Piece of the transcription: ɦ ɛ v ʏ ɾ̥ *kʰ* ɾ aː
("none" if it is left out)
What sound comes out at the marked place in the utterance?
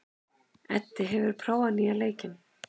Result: pʰ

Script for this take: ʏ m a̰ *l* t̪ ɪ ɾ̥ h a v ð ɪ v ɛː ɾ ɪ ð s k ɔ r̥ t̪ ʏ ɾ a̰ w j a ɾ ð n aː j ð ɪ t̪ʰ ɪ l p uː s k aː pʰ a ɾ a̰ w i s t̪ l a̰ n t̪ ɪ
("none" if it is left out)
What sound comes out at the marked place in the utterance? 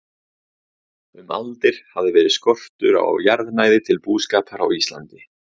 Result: l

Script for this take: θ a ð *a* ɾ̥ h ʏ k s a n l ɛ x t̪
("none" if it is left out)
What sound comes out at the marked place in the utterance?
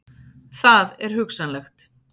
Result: ɛ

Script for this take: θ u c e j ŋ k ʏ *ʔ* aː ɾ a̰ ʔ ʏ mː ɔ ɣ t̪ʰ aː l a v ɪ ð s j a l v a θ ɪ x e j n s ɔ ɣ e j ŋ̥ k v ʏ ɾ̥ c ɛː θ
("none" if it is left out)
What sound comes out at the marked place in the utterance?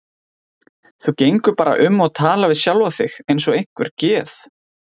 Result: p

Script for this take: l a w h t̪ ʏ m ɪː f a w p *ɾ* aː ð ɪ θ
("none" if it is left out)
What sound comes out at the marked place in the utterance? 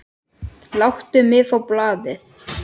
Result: l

